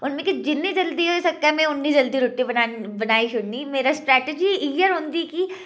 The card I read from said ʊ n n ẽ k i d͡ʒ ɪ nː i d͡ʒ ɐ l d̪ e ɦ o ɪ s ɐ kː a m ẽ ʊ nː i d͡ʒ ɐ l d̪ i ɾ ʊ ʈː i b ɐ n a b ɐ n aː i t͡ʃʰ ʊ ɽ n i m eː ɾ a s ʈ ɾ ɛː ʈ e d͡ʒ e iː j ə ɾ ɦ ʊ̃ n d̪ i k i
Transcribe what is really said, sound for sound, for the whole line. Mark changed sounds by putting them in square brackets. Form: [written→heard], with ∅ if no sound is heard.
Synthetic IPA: ʊ n [n→m] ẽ k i d͡ʒ ɪ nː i d͡ʒ ɐ l d̪ [e→i] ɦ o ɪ s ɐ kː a m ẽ ʊ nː i d͡ʒ ɐ l d̪ i ɾ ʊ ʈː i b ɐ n a b ɐ n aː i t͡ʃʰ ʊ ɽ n i m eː ɾ a s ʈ ɾ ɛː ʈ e d͡ʒ [e→i] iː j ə ɾ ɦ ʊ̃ n d̪ i k i